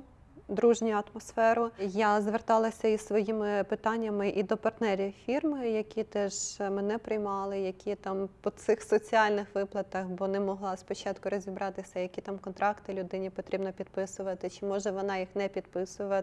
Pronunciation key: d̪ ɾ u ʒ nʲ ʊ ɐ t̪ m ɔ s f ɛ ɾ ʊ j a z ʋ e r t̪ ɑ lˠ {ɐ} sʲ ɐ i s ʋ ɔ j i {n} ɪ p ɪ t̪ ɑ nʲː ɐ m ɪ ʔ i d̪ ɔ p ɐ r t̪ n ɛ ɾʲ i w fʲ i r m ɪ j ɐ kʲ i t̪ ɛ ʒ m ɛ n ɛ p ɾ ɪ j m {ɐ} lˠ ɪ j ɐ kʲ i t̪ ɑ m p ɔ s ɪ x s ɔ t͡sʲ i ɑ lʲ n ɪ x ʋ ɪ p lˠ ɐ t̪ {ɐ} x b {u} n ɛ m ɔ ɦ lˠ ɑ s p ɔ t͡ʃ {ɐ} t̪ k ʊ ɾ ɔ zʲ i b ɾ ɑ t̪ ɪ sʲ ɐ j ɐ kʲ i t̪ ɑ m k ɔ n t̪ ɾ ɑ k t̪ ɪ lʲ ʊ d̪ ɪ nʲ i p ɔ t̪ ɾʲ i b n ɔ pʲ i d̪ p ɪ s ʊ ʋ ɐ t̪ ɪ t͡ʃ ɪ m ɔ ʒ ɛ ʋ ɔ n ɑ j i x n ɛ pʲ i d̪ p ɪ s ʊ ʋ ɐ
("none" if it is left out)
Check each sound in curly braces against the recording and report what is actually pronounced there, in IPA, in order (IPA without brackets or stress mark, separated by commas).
ɐ, m, ɑ, ɐ, ɔ, ɑ